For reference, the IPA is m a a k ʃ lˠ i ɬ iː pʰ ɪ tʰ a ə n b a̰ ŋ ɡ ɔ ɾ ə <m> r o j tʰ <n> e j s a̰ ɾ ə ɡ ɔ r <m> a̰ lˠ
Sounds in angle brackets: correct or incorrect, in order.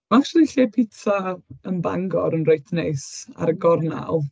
incorrect, correct, incorrect

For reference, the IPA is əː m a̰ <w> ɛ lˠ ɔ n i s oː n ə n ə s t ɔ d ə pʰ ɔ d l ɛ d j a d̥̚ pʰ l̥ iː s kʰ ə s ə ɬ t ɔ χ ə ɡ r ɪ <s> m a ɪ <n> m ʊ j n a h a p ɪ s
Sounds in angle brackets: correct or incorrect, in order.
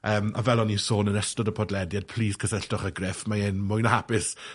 incorrect, incorrect, correct

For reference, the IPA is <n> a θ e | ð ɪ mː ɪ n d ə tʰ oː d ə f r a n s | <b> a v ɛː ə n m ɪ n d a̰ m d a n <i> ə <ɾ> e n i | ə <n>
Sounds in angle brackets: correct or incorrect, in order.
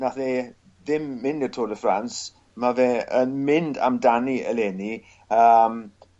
correct, incorrect, correct, incorrect, incorrect

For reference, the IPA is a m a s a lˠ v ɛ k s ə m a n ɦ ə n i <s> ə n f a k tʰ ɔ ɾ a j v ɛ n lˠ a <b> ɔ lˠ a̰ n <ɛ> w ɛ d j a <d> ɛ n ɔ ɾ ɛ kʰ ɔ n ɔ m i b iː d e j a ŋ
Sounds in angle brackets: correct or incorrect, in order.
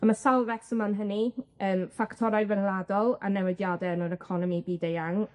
incorrect, incorrect, correct, correct

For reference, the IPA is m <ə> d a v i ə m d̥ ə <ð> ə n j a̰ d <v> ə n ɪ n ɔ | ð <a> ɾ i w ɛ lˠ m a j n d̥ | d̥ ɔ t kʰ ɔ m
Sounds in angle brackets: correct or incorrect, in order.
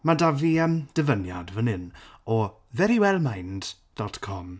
incorrect, incorrect, correct, incorrect

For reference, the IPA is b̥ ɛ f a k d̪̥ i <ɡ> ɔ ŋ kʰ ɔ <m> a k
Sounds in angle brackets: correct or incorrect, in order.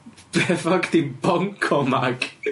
incorrect, correct

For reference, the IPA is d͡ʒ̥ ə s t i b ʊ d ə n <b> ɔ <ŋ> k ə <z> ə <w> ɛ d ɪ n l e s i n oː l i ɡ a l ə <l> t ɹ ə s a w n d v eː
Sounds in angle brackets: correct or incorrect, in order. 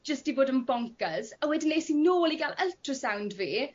correct, correct, correct, correct, correct

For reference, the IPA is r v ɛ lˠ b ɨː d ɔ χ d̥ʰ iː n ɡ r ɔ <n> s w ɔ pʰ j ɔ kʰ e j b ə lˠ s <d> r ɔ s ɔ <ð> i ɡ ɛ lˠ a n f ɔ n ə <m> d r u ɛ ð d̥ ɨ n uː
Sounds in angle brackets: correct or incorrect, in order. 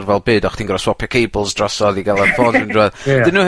incorrect, correct, correct, incorrect

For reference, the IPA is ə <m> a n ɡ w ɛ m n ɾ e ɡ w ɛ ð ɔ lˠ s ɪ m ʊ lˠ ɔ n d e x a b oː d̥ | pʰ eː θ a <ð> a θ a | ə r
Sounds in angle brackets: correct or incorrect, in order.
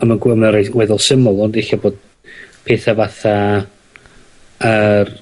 correct, incorrect

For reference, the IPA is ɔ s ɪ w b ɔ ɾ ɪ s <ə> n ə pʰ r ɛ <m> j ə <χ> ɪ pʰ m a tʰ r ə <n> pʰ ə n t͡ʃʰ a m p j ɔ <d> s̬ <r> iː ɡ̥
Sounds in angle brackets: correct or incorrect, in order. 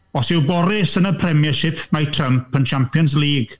correct, correct, incorrect, incorrect, incorrect, incorrect

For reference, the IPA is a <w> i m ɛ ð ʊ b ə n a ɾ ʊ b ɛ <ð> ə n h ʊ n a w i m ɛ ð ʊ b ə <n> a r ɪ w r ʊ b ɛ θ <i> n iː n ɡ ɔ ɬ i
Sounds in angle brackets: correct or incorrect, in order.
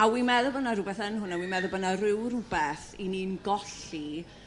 correct, incorrect, correct, correct

